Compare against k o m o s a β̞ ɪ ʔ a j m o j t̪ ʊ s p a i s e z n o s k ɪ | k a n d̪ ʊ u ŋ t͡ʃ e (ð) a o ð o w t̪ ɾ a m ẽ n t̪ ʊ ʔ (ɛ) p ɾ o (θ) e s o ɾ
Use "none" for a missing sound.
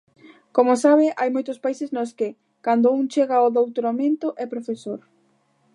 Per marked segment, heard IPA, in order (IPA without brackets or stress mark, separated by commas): ɣ, ɛ, f